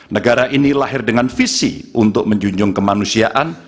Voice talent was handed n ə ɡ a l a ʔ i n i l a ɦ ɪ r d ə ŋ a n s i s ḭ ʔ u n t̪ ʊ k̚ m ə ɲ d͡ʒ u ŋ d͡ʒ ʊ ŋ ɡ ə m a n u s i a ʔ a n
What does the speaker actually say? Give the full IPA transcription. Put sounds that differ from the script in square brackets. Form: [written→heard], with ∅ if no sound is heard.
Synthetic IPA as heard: n ə ɡ a [l→ɾ] a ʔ i n i l a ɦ ɪ r d ə ŋ a n [s→f] i s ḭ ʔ u n t̪ ʊ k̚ m ə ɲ d͡ʒ u [ŋ→ɲ] d͡ʒ ʊ ŋ [ɡ→k] ə m a n u s i a ʔ a n